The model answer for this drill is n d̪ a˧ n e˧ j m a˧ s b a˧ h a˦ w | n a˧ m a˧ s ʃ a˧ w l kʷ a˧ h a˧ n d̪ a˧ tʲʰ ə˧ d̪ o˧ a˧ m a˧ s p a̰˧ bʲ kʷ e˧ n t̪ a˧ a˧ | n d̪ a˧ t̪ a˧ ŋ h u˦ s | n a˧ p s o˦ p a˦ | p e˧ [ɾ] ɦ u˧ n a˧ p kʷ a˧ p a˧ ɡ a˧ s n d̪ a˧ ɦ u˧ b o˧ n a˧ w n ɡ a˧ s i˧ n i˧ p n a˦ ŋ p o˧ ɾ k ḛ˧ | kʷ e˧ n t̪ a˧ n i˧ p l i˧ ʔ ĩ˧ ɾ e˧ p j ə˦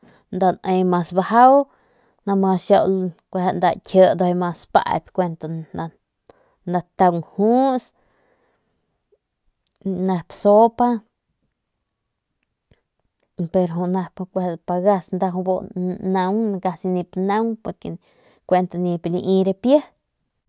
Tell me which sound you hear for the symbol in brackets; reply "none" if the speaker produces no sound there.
ɾ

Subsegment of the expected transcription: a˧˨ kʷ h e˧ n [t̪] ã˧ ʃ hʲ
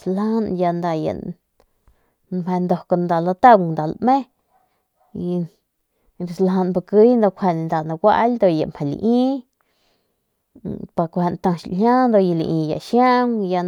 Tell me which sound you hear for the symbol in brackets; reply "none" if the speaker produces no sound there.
t̪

